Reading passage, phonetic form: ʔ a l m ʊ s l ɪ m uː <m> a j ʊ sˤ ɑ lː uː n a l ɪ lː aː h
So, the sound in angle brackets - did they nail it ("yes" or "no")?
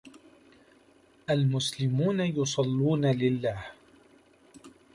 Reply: no